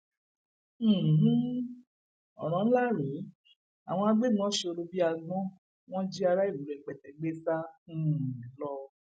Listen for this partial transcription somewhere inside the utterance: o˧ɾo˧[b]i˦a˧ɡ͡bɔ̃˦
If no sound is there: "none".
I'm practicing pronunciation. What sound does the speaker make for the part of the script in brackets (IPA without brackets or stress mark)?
b